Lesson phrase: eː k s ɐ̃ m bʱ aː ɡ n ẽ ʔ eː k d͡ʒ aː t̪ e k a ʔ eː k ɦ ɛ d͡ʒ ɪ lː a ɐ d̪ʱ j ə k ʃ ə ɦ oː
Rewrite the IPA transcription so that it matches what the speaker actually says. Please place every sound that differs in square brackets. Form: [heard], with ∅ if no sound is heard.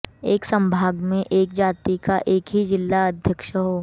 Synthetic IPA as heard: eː k s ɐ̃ m bʱ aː ɡ [m] ẽ ʔ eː k d͡ʒ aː t̪ [i] k a ʔ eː k ɦ [i] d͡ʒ ɪ lː a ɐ d̪ʱ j ə k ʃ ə ɦ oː